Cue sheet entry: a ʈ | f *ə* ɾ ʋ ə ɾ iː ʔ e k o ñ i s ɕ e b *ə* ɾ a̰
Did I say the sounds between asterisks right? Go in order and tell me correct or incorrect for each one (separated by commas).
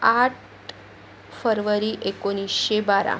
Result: correct, incorrect